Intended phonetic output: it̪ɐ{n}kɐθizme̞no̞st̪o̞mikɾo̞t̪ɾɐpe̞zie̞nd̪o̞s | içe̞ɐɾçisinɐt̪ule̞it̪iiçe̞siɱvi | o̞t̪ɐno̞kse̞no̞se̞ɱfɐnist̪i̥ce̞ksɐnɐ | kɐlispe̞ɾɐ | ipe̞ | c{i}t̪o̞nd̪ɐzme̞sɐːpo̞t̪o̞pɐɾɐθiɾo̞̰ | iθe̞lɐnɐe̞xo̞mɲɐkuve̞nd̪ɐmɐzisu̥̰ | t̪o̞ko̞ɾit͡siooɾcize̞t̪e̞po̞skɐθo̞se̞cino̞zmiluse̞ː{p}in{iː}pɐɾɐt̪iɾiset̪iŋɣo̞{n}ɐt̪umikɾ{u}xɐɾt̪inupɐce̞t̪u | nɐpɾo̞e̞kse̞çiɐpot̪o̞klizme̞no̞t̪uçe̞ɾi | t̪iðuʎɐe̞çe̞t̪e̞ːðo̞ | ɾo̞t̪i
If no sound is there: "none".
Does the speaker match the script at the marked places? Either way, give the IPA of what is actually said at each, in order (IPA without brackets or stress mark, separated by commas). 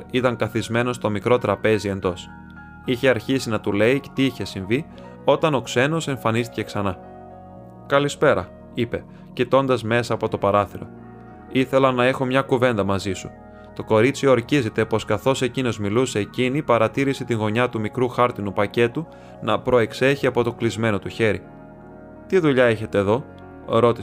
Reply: ŋ, i, c, i, ɲ, u